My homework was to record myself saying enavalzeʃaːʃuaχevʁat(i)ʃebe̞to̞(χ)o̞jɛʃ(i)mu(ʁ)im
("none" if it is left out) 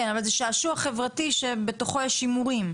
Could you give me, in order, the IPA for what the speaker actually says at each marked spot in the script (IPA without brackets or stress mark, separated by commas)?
i, χ, i, ʁ